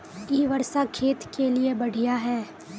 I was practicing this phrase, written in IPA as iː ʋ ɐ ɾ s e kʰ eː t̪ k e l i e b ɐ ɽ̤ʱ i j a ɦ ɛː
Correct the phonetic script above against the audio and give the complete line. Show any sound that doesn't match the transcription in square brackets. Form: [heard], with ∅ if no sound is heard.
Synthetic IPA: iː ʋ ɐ ɾ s [a] kʰ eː t̪ k e l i e b ɐ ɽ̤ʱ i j a ɦ ɛː